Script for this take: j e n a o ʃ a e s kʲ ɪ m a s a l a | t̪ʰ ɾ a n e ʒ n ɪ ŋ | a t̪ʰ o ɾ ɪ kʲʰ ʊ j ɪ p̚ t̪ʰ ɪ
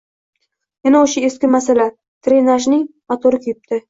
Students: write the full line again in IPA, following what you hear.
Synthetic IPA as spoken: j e n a o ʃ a e s kʲ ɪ m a s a l a | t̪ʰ ɾ e n a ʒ n ɪ ŋ | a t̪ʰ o ɾ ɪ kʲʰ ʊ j ɪ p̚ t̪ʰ ɪ